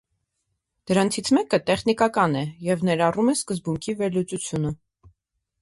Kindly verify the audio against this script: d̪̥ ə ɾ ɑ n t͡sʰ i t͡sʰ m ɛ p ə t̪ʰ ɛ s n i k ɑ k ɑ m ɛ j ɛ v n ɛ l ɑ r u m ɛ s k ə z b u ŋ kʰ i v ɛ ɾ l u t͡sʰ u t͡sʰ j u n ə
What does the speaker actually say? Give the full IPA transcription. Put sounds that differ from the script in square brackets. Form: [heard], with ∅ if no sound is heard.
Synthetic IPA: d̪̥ ə ɾ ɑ n t͡sʰ i t͡sʰ m ɛ [k] ə [t̪] ɛ [χ] n i k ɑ k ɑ [n] ɛ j ɛ v n ɛ [ɾ] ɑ r u m ɛ s k ə z b u ŋ kʰ i v ɛ ɾ l u [t͡s] u t͡sʰ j u n ə

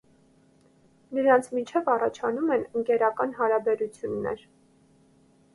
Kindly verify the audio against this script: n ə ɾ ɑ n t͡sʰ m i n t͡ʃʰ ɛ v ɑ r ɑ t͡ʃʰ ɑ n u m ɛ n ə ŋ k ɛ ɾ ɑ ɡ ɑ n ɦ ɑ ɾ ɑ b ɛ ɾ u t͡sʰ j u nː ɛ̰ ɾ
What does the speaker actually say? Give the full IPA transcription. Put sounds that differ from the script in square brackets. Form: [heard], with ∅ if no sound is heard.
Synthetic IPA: n ə ɾ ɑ n t͡sʰ m i n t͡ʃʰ ɛ v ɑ r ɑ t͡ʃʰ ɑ n u m ɛ n ə ŋ k ɛ ɾ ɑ [k] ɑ n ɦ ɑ ɾ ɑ b ɛ ɾ u t͡sʰ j u nː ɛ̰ ɾ

